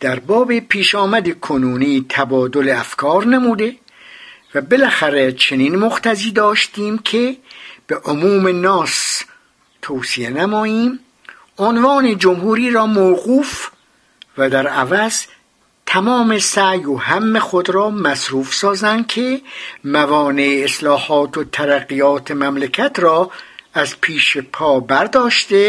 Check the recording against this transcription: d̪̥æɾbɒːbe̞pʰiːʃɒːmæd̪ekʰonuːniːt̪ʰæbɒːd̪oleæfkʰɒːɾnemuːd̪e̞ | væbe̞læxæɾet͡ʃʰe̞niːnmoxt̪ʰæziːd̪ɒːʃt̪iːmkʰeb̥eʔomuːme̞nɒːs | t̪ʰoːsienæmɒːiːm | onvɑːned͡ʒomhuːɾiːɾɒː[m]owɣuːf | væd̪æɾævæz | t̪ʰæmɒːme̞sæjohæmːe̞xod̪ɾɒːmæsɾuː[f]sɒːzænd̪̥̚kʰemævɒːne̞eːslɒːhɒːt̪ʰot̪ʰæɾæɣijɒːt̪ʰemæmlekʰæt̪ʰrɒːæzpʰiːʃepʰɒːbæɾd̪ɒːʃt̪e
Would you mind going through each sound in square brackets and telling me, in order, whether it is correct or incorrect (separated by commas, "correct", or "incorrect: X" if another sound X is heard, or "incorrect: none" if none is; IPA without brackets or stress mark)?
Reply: correct, correct